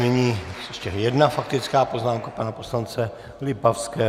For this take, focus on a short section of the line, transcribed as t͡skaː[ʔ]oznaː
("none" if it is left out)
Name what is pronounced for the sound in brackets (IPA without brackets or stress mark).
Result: p